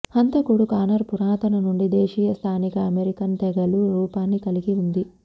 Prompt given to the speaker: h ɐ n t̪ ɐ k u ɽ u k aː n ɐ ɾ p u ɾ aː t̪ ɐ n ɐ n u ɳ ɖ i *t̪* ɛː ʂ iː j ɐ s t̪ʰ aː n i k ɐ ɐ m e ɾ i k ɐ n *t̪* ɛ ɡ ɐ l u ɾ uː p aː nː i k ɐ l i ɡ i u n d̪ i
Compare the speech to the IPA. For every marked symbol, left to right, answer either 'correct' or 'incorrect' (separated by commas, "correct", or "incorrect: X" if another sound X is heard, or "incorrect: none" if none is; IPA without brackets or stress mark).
incorrect: d̪, correct